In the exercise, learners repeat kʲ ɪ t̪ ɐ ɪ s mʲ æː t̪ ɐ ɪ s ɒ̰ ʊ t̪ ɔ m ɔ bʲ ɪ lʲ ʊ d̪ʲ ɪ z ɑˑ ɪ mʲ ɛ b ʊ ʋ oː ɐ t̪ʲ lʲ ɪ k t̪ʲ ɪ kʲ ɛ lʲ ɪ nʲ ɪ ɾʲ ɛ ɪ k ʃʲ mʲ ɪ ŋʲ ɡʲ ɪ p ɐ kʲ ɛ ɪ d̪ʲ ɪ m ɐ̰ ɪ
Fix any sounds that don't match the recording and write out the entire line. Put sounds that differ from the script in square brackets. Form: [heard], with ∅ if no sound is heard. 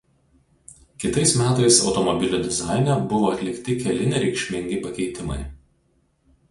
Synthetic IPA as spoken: kʲ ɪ t̪ ɐ ɪ s mʲ æː t̪ ɐ ɪ s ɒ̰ ʊ t̪ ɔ m ɔ bʲ ɪ lʲ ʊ d̪ʲ ɪ z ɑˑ ɪ [nʲ] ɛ b ʊ ʋ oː ɐ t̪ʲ lʲ ɪ k t̪ʲ ɪ kʲ ɛ lʲ ɪ nʲ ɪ ɾʲ ɛ ɪ k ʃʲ mʲ ɪ ŋʲ ɡʲ ɪ p ɐ kʲ ɛ ɪ [t̪ʲ] ɪ m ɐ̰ ɪ